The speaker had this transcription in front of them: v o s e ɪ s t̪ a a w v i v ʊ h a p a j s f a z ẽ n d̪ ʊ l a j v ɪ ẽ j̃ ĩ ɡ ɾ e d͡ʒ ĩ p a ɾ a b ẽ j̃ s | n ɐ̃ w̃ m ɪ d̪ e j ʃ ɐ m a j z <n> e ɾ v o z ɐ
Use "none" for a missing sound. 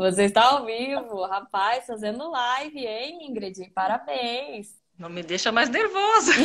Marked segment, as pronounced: n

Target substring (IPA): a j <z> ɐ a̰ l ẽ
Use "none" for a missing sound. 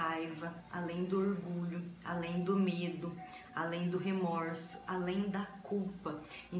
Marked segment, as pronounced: v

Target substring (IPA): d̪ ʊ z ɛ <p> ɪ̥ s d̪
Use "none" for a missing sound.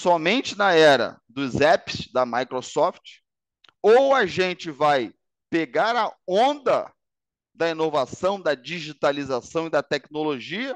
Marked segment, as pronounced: p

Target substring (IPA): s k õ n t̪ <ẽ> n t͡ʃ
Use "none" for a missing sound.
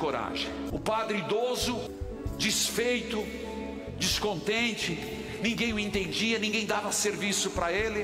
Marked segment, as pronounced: ẽ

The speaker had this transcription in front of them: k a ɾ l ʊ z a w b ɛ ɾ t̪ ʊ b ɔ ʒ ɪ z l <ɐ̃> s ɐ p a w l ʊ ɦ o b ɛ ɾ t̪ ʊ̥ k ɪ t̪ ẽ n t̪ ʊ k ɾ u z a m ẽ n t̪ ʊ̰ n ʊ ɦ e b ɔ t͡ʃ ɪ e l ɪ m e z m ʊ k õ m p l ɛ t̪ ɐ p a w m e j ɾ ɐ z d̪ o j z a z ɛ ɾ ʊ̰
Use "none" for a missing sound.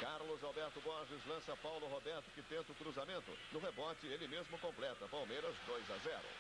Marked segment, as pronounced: ɐ̃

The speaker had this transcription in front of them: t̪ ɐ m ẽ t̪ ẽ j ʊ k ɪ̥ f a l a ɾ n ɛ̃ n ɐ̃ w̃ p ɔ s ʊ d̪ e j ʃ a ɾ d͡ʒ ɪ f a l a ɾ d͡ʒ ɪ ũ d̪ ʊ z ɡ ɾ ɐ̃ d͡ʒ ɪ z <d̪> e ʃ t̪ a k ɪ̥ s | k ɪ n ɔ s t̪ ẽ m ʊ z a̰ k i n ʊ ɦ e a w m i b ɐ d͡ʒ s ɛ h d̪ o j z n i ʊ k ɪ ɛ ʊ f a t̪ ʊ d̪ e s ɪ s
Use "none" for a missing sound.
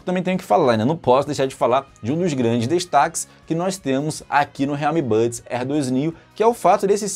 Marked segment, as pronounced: d̪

